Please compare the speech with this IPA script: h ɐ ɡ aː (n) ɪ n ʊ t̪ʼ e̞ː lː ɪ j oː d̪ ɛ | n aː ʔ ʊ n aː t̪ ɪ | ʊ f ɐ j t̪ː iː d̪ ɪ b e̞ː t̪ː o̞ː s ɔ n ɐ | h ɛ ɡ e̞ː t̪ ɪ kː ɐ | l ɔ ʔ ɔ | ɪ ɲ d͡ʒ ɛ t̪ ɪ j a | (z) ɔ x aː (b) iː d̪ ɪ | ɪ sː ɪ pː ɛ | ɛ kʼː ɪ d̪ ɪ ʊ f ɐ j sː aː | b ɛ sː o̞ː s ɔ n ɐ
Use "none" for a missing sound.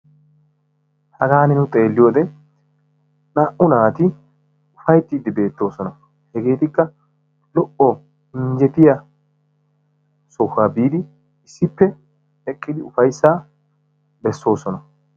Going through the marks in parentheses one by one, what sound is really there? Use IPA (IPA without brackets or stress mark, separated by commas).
n, s, b